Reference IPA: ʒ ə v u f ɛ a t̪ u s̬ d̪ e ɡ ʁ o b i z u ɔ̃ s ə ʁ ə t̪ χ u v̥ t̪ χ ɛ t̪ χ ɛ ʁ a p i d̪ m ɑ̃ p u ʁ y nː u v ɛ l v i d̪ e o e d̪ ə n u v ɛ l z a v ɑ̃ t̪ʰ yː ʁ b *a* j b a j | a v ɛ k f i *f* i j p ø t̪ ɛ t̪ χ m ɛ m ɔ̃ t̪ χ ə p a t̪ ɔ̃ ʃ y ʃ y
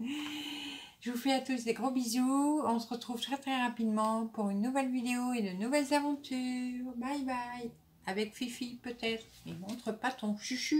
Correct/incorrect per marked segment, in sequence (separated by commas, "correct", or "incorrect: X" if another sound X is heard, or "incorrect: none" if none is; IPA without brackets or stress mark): correct, correct